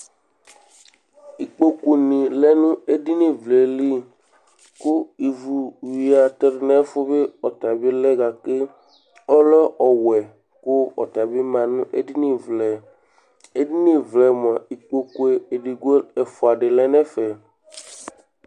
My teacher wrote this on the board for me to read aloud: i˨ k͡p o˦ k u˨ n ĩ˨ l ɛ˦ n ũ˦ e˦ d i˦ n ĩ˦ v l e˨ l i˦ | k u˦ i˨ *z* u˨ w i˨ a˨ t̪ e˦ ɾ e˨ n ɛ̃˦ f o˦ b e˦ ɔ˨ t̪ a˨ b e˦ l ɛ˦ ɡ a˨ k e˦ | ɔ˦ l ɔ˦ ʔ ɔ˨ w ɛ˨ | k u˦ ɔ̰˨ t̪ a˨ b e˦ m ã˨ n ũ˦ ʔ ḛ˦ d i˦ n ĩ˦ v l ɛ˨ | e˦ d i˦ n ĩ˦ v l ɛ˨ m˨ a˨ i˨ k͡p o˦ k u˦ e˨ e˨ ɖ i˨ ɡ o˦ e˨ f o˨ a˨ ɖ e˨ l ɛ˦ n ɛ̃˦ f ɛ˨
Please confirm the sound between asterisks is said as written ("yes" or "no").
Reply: no